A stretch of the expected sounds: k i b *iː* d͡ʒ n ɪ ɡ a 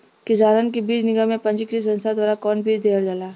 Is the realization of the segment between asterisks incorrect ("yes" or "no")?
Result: no